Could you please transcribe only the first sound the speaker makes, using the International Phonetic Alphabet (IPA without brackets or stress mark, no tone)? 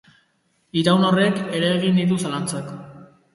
i